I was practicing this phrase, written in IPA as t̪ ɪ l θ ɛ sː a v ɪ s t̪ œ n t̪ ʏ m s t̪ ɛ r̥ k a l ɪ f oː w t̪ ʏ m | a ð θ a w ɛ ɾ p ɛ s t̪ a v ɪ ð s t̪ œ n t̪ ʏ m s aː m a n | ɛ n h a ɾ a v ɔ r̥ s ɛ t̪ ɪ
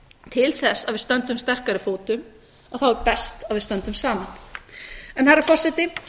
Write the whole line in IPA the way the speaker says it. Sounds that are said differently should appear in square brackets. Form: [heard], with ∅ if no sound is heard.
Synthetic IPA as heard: [t̪ʰ] ɪ l θ ɛ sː a v ɪ s t̪ œ n t̪ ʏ m s t̪ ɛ r̥ k a [ɾ] ɪ f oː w t̪ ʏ m | a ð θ a w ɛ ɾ p ɛ s t̪ a v ɪ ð s t̪ œ n t̪ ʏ m s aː m a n | ɛ n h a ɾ a [f] ɔ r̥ s ɛ t̪ ɪ